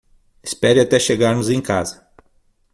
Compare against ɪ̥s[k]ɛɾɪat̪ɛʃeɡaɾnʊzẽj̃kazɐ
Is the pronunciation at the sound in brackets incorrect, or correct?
incorrect: p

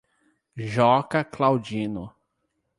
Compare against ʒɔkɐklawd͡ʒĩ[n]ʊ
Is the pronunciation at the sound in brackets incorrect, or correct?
correct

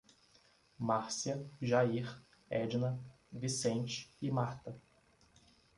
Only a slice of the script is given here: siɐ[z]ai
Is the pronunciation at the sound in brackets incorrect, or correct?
incorrect: ʒ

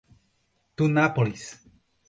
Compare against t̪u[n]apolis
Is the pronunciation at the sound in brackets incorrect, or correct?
correct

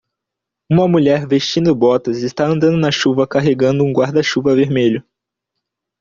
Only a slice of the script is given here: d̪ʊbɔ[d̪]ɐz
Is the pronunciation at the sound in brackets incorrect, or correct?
incorrect: t̪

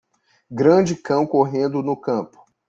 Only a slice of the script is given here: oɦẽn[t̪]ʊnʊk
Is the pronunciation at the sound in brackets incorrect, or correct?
incorrect: d̪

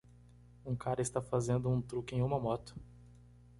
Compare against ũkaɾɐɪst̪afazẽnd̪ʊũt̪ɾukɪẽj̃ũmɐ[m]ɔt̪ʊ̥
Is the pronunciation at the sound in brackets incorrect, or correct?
correct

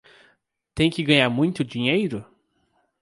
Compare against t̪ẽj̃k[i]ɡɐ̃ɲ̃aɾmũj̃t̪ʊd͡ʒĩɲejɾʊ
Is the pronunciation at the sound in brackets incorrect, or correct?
incorrect: ɪ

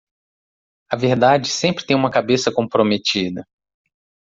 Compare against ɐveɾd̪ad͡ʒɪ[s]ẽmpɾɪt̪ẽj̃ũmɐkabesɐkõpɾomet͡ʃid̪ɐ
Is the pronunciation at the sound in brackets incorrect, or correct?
correct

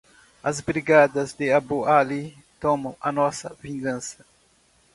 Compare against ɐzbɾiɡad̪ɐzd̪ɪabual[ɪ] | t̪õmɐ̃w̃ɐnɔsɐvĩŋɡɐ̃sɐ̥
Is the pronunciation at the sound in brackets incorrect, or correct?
incorrect: i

